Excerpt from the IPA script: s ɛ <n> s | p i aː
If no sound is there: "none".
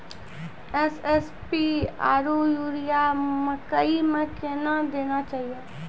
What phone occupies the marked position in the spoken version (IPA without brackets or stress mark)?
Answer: none